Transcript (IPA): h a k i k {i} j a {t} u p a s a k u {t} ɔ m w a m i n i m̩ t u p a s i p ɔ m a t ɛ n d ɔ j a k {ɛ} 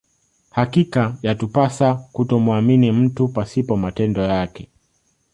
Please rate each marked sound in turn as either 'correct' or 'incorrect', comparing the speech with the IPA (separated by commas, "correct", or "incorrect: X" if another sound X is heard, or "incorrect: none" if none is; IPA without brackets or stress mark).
incorrect: a, correct, correct, correct